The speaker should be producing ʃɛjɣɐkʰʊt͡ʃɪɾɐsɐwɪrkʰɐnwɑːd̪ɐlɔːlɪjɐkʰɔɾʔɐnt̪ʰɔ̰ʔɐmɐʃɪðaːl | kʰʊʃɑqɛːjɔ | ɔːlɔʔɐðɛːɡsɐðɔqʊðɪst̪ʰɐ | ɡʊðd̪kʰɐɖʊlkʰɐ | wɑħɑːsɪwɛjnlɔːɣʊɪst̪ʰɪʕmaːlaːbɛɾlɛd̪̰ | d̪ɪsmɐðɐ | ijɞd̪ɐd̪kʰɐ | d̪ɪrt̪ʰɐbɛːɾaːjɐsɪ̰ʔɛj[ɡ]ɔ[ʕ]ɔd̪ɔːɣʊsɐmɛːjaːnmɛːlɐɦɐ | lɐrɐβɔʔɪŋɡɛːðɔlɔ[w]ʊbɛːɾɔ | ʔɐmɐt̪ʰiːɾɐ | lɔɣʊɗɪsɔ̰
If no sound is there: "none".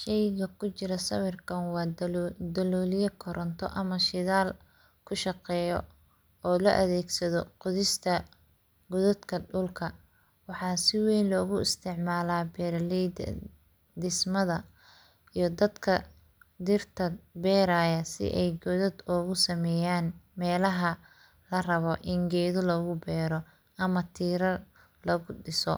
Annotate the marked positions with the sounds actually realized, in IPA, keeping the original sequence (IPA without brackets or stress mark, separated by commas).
ɡ, ð, ɣ